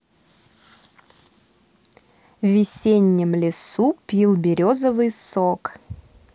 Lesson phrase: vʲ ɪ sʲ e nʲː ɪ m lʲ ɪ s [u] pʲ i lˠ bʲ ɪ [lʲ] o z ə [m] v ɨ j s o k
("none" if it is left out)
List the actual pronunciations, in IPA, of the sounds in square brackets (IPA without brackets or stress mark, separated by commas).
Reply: u, ɾʲ, none